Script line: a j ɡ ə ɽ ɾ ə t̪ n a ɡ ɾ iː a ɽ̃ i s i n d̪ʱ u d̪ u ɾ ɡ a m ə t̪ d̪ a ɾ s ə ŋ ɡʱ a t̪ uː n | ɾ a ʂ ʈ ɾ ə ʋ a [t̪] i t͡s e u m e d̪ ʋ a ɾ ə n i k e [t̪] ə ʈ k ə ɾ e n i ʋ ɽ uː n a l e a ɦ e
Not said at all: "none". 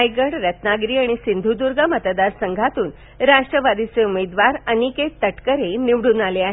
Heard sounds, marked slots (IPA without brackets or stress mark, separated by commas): d̪, t̪